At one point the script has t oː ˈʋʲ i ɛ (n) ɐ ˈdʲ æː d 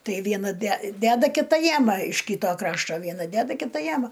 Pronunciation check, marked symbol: correct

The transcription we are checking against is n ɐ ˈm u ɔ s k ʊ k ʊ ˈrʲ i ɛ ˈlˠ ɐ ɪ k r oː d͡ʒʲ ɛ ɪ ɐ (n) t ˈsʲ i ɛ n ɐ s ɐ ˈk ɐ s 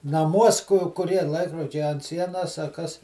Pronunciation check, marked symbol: correct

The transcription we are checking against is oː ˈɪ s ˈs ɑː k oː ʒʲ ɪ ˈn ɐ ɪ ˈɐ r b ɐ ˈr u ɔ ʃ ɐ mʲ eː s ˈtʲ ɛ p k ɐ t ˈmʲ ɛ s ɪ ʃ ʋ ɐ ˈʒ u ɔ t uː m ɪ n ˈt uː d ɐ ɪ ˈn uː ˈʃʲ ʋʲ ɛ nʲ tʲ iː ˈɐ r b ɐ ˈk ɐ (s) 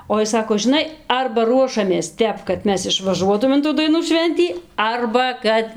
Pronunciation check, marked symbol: incorrect: t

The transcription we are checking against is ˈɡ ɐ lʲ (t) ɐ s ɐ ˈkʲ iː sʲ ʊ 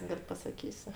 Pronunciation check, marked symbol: incorrect: p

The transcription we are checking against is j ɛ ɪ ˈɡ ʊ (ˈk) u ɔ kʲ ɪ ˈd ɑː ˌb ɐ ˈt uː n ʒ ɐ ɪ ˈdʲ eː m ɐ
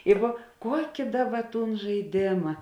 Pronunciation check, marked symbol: correct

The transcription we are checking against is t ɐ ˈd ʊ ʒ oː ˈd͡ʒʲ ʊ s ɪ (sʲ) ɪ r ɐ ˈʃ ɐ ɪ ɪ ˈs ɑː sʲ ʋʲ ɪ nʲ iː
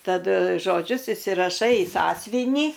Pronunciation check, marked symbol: correct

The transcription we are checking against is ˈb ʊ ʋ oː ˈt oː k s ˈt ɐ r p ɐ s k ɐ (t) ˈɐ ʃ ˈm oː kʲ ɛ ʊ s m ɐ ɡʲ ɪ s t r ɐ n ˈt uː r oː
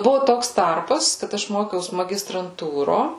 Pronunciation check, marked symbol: correct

